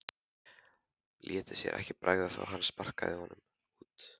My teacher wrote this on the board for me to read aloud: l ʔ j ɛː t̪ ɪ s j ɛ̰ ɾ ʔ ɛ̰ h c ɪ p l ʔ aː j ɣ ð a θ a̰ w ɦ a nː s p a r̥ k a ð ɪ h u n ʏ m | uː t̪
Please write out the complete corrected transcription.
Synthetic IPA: l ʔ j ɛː t̪ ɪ s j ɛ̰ ɾ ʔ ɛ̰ h c ɪ p ɾ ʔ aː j ɣ ð a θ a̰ w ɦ a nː s p a r̥ k a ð ɪ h ɔ n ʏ m | uː t̪